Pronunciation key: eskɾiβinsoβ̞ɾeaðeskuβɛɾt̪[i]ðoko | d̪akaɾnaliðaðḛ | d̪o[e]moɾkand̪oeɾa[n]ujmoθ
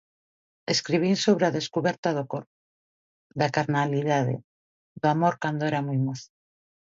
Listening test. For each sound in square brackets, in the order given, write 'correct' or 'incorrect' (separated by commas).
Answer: incorrect, incorrect, incorrect